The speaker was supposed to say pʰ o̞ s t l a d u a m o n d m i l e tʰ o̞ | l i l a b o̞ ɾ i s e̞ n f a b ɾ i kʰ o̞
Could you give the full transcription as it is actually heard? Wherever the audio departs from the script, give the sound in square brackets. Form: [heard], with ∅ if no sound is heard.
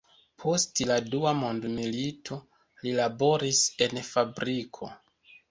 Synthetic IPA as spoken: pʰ o̞ s t l a d u a m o n d m i l [i] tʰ o̞ | l i l a b o̞ ɾ i s e̞ n f a b ɾ i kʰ o̞